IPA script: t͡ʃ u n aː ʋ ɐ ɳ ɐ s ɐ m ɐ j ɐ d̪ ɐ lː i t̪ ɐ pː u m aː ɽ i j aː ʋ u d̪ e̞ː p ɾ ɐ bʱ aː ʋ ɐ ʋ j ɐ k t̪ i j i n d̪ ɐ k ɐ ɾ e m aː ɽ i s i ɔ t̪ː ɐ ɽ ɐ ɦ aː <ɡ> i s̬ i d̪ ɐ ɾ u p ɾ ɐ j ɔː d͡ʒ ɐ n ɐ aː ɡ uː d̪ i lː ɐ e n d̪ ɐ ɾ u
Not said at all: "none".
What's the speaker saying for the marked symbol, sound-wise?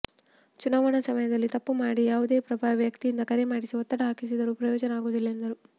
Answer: k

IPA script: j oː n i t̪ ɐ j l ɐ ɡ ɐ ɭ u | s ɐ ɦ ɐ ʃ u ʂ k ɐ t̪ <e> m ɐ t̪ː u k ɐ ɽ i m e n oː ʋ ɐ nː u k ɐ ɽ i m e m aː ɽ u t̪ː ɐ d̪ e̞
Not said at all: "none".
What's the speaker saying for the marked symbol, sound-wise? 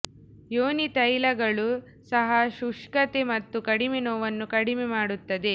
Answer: e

